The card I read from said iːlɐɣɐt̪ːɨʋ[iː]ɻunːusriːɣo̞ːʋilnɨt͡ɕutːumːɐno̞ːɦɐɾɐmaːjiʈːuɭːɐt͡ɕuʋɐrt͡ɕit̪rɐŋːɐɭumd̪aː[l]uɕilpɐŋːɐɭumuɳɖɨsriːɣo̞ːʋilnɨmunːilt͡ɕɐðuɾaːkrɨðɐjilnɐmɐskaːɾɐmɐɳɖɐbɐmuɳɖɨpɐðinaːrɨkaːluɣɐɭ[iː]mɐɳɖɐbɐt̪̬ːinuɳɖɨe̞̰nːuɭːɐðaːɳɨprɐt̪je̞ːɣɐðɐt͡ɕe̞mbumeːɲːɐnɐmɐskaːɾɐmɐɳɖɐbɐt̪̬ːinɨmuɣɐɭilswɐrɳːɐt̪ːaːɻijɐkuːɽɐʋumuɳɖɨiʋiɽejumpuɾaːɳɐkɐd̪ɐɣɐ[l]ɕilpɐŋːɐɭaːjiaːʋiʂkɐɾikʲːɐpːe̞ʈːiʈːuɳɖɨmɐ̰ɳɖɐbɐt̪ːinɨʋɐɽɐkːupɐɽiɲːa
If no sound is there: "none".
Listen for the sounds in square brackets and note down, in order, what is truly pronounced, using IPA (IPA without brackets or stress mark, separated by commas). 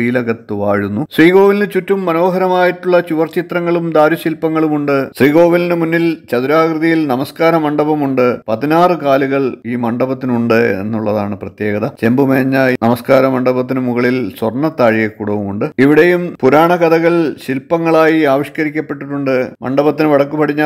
aː, ɾ, iː, ɭ